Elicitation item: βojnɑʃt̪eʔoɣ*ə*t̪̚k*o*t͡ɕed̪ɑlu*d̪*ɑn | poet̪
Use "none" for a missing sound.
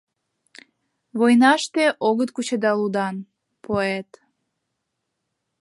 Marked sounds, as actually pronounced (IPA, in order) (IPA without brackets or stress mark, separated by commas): ə, u, d̪